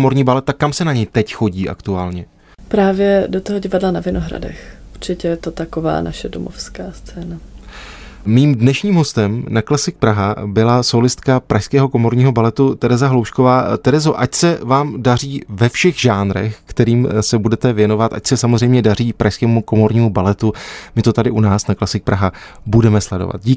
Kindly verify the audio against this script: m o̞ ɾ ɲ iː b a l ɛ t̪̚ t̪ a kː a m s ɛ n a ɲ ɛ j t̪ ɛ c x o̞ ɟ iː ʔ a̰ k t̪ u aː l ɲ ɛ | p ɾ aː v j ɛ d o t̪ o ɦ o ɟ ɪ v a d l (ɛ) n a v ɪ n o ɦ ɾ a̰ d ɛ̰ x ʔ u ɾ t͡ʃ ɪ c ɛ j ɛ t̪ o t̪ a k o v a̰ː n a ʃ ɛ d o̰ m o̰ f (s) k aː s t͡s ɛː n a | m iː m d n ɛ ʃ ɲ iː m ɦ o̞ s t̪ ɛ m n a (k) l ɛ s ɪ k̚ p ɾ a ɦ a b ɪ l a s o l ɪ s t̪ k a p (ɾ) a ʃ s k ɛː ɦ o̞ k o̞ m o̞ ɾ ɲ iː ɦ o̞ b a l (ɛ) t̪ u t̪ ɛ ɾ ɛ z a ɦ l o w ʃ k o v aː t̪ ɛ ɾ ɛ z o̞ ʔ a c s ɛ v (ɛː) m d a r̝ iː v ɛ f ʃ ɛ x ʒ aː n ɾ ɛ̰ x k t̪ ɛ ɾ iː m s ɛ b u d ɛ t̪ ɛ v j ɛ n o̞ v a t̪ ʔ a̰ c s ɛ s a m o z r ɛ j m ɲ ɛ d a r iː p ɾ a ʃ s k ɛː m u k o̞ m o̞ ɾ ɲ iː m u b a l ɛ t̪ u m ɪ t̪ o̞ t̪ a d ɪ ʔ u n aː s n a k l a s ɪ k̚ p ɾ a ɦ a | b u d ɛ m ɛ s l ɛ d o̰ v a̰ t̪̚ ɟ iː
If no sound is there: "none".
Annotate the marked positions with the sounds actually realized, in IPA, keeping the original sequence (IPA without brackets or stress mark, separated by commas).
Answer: a, s, k, ɾ, ɛ, aː